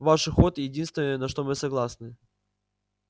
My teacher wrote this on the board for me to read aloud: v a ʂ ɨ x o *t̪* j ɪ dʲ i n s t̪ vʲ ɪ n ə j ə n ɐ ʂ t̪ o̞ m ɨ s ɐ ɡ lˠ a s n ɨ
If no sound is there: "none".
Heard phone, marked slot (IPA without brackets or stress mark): t̪